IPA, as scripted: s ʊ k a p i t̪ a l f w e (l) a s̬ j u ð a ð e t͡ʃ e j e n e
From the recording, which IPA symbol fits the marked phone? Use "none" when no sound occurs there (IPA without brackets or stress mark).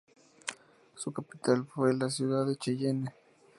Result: l